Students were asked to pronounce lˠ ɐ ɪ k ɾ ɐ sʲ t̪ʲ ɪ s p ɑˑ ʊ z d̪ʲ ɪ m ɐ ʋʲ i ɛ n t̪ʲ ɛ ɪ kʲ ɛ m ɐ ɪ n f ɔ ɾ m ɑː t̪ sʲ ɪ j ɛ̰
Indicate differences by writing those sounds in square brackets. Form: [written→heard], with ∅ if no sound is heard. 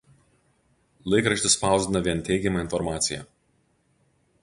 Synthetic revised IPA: lˠ ɐ ɪ k ɾ ɐ [sʲ→ʃʲ] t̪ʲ ɪ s p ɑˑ ʊ z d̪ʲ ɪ [m→n] ɐ ʋʲ i ɛ n t̪ʲ ɛ ɪ [kʲ→ɡʲ] ɛ m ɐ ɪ n f ɔ ɾ m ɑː t̪ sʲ ɪ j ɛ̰